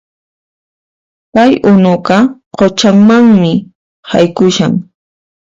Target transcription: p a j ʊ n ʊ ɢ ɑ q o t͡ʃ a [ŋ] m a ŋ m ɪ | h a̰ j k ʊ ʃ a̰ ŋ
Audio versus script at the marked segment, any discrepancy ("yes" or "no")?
no